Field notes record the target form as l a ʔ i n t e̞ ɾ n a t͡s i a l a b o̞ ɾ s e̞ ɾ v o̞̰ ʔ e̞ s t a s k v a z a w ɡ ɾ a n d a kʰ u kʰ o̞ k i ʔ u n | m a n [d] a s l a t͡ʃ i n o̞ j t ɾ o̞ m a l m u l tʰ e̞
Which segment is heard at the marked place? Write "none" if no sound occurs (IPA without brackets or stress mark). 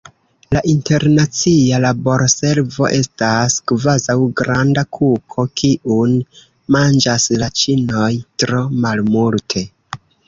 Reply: d͡ʒ